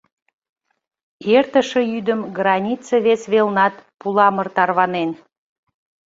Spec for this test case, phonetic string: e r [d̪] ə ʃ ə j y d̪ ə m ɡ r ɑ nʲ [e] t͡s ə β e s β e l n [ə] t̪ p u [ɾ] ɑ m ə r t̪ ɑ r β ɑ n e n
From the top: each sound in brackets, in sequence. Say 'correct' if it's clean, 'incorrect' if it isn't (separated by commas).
incorrect, incorrect, incorrect, incorrect